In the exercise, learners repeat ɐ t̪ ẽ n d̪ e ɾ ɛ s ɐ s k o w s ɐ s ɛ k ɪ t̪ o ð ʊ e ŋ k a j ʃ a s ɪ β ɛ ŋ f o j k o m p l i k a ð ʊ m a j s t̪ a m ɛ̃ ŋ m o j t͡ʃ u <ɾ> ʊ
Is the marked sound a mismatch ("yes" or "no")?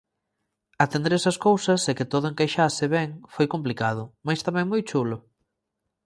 yes